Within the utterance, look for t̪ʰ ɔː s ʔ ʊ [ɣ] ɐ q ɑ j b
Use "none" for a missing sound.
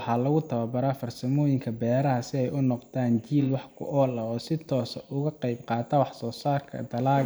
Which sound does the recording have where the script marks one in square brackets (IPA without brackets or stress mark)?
ɣ